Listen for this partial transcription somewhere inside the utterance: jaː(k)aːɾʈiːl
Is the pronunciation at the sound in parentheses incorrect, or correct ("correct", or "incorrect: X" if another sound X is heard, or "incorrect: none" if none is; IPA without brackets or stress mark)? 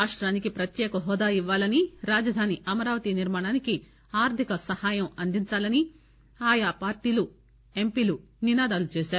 incorrect: p